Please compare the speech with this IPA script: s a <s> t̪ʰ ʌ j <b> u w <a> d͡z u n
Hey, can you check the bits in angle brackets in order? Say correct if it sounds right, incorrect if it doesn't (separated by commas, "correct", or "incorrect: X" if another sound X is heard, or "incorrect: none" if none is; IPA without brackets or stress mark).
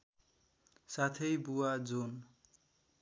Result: incorrect: none, correct, correct